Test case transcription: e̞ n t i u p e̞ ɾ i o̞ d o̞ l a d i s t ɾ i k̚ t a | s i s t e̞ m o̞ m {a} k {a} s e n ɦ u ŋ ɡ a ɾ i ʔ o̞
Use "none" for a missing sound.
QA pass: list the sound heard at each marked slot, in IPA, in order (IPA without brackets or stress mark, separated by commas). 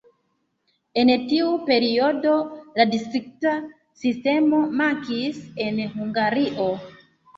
a, i